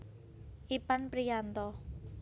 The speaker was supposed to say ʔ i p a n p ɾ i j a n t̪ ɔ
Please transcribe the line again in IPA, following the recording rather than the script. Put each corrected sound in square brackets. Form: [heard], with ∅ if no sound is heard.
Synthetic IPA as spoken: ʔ i p a n p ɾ i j a n t̪ ɔ